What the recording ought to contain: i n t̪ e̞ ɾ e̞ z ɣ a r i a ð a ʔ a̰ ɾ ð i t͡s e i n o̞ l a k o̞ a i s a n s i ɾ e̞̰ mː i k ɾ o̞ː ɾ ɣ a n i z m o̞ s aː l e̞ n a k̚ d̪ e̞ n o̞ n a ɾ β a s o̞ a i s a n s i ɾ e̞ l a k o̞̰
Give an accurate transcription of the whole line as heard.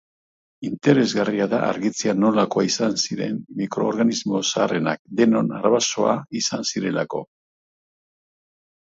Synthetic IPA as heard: i n t̪ e̞ ɾ e̞ z ɣ a r i a ð a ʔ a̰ ɾ ɣ i t͡s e a n o̞ l a k o̞ a i s a n s i ɾ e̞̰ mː i k ɾ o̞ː ɾ ɣ a n i z m o̞ s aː r e̞ n a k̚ d̪ e̞ n o̞ n a ɾ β a s o̞ a i s a n s i ɾ e̞ l a k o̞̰